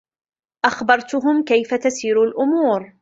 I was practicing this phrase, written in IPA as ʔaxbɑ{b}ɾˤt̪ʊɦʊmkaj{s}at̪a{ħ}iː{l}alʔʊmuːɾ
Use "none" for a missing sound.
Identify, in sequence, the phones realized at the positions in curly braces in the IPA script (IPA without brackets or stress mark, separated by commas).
none, f, s, ɾ